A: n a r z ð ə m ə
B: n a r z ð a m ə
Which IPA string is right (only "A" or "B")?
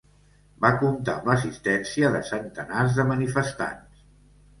A